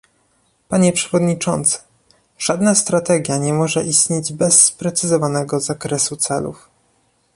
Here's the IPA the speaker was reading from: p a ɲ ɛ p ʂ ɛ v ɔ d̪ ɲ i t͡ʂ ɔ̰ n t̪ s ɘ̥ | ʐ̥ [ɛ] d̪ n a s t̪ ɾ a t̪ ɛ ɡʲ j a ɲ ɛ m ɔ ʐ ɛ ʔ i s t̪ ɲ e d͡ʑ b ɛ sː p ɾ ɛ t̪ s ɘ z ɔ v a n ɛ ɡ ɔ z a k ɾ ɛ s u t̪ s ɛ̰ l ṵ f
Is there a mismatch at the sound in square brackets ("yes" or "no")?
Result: yes